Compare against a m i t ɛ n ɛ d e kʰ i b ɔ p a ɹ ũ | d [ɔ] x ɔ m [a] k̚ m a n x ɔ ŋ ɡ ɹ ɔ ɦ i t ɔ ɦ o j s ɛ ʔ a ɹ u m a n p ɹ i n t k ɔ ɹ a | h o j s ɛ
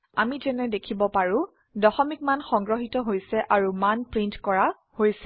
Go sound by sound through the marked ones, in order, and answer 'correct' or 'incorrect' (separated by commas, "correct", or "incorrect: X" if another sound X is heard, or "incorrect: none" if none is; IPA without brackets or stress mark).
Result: correct, incorrect: i